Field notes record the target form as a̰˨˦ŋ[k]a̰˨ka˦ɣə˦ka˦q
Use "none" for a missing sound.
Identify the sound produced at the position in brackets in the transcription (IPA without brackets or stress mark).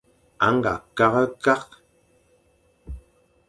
ɡ